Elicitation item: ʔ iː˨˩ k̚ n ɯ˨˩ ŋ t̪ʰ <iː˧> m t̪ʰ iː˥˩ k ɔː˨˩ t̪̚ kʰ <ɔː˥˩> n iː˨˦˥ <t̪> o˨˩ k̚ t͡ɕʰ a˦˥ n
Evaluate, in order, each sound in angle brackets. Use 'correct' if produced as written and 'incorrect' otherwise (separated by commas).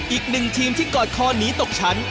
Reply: correct, incorrect, correct